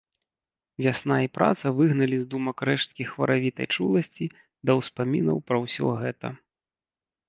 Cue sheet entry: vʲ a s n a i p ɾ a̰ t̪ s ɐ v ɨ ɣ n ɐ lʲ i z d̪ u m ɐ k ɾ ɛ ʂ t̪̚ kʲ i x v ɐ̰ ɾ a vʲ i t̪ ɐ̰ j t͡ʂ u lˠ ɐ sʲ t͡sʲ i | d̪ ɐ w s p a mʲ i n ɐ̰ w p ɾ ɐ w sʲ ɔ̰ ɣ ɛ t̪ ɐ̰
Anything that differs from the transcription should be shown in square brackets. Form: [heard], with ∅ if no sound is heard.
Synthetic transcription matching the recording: vʲ a s n a i p ɾ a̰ t̪ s ɐ v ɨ ɣ n ɐ lʲ i z d̪ u m ɐ k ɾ ɛ ʂ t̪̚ kʲ i x v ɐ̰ ɾ a vʲ i t̪ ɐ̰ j t͡ʂ u lˠ ɐ sʲ t͡sʲ i | d̪ ɐ w s p a mʲ i n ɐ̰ w p ɾ ɐ w sʲ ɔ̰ ɣ ɛ t̪ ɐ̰